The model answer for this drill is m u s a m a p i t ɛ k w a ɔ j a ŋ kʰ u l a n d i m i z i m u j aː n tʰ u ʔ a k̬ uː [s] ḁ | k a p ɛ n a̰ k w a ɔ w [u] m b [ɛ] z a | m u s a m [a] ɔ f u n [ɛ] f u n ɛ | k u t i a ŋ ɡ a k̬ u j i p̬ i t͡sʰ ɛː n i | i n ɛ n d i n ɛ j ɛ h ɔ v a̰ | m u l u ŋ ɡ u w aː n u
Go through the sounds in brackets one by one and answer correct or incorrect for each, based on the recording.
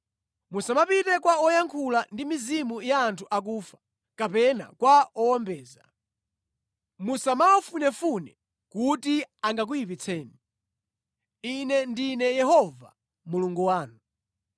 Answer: incorrect: f, incorrect: ɔ, incorrect: ɛː, correct, correct

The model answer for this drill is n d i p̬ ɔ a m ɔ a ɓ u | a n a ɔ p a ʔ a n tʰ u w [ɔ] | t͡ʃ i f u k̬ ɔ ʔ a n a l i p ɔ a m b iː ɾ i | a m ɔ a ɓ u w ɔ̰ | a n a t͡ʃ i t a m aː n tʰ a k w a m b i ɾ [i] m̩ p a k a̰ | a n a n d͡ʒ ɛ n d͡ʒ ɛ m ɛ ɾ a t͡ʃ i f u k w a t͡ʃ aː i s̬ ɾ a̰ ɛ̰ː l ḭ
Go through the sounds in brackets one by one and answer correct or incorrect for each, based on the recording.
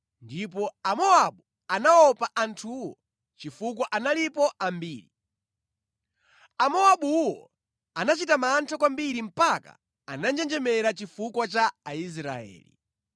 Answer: correct, correct

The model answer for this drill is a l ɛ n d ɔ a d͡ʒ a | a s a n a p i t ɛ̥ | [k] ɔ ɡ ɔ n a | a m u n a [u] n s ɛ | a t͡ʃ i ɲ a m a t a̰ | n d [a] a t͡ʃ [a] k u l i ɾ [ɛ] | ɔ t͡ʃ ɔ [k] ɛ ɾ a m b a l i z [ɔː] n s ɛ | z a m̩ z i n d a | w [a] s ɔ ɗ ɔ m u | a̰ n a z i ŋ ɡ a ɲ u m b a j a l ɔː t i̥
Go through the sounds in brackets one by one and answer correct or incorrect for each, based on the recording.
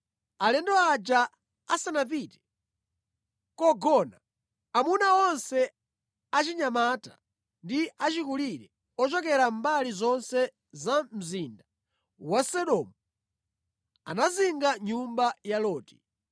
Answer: correct, incorrect: ɔ, incorrect: i, incorrect: i, correct, correct, incorrect: ɔ, correct

